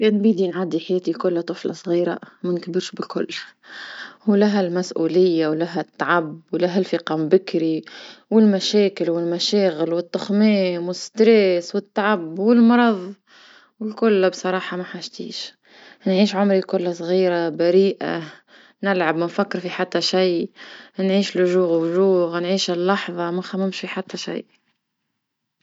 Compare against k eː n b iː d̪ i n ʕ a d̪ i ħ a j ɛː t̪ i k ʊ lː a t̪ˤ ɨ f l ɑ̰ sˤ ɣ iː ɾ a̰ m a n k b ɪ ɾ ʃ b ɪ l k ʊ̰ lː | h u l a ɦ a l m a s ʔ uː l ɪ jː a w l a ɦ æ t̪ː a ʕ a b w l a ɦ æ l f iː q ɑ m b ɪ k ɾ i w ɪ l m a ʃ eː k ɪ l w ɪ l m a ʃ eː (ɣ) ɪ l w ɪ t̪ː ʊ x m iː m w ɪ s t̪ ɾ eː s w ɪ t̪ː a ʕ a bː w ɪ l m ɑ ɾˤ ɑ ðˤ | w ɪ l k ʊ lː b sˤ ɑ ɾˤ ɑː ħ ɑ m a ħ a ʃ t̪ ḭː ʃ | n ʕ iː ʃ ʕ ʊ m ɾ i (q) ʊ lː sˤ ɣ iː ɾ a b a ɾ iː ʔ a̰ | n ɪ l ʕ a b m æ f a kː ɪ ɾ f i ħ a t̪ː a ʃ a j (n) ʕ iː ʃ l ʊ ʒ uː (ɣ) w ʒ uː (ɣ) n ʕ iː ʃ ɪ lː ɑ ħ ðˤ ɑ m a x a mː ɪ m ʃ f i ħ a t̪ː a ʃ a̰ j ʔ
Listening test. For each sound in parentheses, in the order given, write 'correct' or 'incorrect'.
correct, incorrect: k, correct, correct, correct

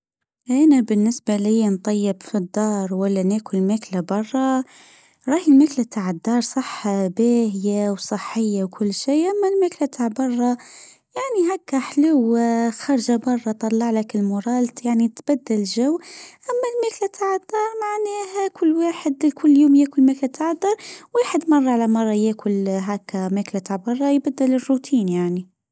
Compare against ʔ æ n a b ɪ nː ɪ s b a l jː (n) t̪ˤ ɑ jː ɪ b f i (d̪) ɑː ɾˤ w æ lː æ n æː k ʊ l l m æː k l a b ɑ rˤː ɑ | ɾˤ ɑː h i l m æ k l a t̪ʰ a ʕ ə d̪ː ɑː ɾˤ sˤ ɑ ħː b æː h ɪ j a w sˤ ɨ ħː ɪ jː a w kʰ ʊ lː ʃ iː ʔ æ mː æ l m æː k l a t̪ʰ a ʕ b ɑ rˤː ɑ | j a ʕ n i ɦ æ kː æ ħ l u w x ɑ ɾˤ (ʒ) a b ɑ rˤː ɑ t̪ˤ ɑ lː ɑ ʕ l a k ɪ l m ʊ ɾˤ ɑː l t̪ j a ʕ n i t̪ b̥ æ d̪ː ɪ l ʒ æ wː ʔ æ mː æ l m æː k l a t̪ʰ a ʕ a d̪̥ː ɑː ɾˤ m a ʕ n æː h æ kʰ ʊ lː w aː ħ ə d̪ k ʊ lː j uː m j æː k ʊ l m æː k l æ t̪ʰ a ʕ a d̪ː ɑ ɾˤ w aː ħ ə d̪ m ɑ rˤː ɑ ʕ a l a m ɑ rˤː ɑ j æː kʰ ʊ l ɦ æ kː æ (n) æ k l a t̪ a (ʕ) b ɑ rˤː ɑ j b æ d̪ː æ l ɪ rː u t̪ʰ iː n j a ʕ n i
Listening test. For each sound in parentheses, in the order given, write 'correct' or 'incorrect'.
correct, incorrect: d̪ː, correct, incorrect: m, correct

